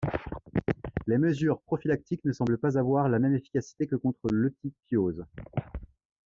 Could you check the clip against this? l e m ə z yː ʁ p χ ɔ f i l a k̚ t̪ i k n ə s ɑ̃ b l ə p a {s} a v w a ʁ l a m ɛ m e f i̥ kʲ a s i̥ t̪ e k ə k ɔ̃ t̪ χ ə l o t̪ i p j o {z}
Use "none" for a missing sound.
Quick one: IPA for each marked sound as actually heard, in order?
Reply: z, z

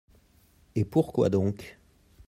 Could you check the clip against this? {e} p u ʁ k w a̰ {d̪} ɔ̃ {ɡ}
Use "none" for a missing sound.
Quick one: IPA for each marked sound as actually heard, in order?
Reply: e, d̪, k

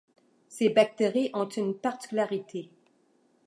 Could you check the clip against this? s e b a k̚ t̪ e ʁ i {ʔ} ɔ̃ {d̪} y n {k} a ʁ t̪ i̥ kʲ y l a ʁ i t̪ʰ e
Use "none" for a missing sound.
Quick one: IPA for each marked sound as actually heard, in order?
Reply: ʔ, t̪, p

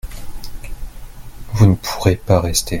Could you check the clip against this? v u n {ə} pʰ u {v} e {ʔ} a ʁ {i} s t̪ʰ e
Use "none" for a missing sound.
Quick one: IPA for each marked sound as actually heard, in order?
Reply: ə, ʁ, p, ɛ

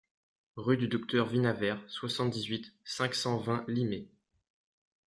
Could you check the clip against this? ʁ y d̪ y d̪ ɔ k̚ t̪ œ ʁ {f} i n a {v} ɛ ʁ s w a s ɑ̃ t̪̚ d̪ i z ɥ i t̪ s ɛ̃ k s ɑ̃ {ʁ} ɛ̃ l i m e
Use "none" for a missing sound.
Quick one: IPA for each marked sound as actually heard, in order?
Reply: v, v, v

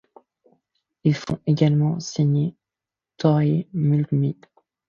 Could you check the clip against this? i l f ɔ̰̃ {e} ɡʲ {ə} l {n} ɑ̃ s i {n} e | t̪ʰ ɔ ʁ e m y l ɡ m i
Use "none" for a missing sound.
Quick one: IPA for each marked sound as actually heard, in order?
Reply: e, a, m, ɲ

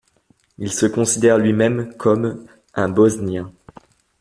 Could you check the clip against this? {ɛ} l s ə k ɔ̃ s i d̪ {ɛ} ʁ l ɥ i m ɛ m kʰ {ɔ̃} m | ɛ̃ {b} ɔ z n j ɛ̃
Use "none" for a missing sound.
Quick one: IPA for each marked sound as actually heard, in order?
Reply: i, ɛ, ɔ, b

